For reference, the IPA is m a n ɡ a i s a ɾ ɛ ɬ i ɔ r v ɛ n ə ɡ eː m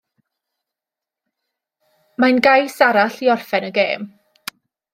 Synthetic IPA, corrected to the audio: m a n ɡ a j s a ɾ a ɬ i ɔ r f ɛ n ə ɡ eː m